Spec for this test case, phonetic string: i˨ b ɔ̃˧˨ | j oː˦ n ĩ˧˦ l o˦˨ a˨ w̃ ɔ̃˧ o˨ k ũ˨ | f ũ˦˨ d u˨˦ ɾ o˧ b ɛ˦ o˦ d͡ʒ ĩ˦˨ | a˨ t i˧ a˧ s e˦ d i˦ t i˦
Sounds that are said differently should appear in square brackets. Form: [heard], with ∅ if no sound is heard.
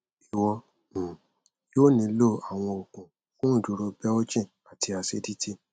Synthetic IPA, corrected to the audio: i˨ [w] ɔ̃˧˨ | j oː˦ n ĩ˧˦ l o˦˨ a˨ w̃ ɔ̃˧ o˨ k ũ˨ | f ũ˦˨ d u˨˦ ɾ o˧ b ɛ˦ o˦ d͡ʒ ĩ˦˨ | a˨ t i˧ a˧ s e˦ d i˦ t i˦